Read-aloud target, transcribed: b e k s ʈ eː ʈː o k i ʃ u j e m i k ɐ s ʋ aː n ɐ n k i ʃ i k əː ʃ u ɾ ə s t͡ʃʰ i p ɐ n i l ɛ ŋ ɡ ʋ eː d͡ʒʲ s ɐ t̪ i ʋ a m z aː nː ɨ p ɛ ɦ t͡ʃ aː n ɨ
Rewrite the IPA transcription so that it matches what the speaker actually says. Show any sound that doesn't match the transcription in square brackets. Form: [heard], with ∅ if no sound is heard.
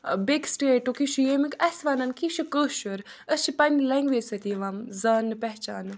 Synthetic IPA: b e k s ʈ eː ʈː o k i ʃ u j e m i k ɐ s ʋ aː n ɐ n k i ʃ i k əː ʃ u ɾ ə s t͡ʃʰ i p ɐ n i l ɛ ŋ ɡ ʋ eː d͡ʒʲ s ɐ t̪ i ʋ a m z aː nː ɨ p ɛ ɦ t͡ʃ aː n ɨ